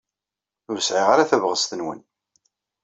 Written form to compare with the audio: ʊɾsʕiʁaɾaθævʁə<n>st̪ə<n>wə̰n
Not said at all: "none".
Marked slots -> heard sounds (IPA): none, n

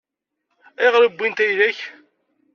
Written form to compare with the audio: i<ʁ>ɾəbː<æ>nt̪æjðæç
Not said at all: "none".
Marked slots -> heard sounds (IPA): ʁ, i

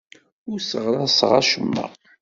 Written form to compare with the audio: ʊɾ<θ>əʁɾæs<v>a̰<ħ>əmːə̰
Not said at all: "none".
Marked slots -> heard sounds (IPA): s, ʁ, ʃ

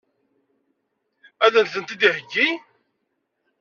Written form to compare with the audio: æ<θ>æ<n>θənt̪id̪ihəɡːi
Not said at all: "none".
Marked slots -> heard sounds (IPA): ð, n

